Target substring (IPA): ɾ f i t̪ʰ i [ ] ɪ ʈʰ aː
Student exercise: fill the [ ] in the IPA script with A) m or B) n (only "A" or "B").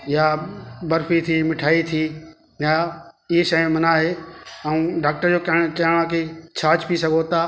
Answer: A